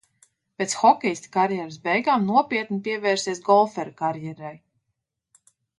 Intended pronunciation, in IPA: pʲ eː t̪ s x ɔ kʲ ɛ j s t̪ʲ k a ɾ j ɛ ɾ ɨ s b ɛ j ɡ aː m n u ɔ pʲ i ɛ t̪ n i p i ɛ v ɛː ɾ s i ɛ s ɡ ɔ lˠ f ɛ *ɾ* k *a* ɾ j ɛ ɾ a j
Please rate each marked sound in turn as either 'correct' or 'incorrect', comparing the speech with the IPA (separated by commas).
correct, correct